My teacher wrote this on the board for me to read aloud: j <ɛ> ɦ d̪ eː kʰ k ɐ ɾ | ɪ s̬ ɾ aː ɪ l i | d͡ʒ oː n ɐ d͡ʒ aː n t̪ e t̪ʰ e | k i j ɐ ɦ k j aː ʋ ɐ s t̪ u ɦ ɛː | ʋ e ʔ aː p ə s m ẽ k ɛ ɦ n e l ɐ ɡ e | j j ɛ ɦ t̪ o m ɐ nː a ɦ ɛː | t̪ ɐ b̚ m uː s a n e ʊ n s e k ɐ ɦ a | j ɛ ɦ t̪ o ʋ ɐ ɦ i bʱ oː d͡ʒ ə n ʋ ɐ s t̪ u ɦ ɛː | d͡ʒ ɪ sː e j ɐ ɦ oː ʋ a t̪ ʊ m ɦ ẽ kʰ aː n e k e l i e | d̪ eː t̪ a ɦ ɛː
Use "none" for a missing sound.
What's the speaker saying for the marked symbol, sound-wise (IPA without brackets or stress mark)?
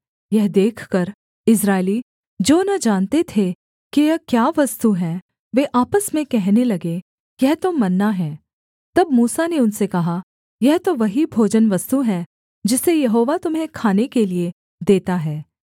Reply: ɛ